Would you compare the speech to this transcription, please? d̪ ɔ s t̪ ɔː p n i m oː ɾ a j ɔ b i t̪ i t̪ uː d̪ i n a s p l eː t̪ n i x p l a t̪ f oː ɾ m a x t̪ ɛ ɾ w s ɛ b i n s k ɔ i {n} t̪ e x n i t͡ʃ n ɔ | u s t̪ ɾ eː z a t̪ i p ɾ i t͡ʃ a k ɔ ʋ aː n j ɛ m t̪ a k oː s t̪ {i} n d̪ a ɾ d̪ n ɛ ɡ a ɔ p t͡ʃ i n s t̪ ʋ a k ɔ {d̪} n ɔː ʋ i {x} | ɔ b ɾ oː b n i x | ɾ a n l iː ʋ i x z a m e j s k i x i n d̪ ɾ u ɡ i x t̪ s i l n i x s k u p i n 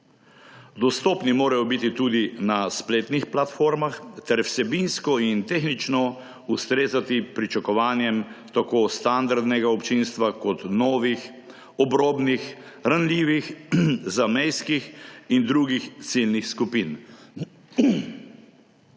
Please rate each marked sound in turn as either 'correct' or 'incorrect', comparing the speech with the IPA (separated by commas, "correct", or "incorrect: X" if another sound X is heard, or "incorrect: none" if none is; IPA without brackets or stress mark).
correct, incorrect: a, incorrect: t̪, correct